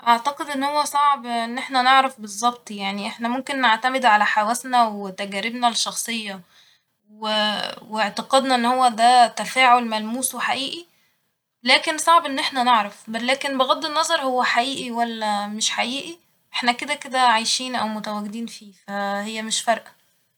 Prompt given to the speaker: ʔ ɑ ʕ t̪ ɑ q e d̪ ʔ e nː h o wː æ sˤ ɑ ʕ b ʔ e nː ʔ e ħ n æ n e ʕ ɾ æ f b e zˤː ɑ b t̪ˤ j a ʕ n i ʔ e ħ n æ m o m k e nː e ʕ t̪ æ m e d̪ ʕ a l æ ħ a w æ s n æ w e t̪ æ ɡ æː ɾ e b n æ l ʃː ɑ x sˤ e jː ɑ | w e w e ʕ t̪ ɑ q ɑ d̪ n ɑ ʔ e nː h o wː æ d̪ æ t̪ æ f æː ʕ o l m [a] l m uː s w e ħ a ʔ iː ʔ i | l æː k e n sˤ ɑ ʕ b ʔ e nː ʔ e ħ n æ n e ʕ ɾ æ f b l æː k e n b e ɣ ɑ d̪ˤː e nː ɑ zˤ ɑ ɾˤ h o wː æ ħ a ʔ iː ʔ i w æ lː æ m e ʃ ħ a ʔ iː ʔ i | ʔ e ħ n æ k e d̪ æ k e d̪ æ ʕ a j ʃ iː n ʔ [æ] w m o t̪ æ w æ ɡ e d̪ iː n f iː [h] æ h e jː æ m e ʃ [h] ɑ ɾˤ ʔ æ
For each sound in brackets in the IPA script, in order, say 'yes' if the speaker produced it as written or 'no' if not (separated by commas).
no, yes, no, no